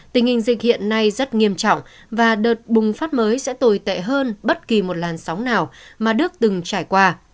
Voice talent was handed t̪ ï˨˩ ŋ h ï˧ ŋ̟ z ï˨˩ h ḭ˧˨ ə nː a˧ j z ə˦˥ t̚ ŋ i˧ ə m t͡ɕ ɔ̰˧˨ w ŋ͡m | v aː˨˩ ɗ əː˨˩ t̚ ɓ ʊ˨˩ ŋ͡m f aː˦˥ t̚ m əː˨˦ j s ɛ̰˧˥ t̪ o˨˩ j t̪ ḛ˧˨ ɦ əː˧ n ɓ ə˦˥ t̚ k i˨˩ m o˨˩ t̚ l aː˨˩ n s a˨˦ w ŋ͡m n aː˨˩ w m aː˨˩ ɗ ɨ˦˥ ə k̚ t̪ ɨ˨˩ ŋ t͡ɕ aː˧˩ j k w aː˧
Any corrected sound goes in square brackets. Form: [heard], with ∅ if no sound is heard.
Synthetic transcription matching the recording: t̪ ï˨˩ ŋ h [ï˨˩] ŋ̟ z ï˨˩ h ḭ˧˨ ə nː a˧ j z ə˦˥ t̚ ŋ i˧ ə m t͡ɕ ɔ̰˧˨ w ŋ͡m | v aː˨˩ ɗ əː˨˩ t̚ ɓ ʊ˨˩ ŋ͡m f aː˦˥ t̚ m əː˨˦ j s ɛ̰˧˥ t̪ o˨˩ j t̪ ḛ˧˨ ɦ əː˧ n ɓ ə˦˥ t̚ k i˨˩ m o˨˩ t̚ l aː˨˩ n s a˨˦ w ŋ͡m n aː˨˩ w m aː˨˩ ɗ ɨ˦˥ ə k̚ t̪ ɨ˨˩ ŋ t͡ɕ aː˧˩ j k w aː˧